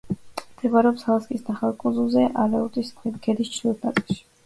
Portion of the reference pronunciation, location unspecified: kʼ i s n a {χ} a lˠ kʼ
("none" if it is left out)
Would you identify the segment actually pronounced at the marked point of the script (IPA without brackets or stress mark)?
χ